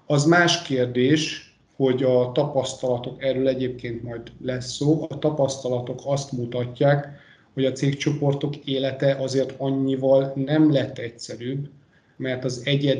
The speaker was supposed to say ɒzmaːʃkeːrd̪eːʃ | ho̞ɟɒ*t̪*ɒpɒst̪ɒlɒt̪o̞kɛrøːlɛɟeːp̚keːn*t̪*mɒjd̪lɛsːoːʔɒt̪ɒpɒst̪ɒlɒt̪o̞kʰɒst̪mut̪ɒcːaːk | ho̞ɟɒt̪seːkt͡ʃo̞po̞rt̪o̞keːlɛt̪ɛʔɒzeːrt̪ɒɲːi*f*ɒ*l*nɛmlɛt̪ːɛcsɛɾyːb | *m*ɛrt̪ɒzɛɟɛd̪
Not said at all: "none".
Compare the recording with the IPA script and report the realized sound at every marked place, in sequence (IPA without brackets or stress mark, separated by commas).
t̪, t̪, v, l, m